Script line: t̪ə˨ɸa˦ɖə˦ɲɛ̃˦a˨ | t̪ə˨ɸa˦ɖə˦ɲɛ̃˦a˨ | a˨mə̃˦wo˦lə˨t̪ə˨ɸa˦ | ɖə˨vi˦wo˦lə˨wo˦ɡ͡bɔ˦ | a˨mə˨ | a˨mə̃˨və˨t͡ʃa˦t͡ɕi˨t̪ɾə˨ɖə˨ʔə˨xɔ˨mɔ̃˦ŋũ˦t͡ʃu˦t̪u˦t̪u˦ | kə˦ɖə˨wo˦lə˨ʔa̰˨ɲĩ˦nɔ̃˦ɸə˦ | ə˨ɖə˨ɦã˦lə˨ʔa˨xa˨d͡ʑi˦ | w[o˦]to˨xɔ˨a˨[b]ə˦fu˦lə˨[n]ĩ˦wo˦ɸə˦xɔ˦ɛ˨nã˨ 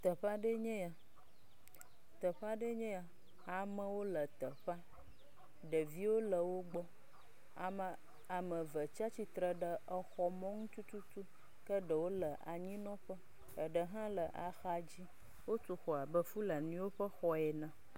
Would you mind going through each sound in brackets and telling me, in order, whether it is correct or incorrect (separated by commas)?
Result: correct, correct, correct